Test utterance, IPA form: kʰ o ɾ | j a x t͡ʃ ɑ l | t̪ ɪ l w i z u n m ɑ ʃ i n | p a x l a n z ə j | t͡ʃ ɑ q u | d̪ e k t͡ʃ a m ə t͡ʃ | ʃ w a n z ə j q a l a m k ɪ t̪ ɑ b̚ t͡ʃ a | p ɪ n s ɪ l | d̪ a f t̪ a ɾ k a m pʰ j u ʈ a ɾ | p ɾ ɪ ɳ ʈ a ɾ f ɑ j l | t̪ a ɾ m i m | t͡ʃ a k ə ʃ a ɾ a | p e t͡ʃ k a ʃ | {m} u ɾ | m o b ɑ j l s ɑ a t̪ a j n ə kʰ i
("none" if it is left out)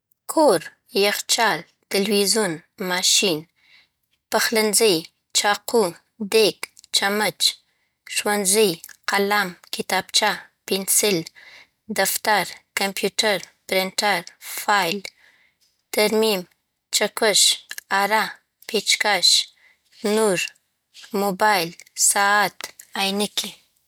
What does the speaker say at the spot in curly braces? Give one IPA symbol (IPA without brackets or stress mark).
n